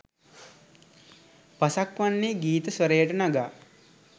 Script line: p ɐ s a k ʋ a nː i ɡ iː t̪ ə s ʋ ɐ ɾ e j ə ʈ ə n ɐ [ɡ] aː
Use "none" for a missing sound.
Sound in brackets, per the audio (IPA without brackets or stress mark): ɡ